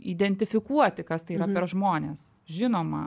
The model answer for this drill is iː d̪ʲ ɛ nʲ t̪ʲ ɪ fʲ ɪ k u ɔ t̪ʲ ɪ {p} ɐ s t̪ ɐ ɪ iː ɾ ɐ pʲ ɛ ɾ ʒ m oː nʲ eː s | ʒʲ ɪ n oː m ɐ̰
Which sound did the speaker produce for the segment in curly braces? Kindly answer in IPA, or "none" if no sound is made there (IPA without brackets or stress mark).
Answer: k